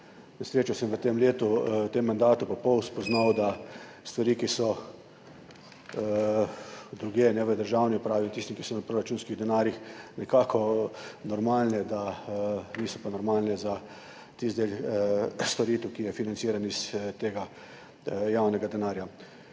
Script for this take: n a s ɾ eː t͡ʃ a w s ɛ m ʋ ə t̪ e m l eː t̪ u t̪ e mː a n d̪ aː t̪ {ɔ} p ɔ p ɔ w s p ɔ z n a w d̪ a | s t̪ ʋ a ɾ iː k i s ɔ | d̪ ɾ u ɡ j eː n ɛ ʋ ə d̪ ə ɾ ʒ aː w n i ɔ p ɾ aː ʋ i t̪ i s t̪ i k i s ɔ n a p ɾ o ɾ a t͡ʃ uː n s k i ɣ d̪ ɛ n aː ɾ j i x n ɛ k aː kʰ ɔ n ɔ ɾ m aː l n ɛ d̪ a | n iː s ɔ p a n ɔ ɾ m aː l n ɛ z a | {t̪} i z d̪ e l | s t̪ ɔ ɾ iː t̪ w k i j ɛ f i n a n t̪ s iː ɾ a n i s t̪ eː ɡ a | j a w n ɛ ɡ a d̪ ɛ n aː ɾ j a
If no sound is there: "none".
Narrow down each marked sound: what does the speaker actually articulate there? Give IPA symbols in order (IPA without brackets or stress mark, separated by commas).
u, t̪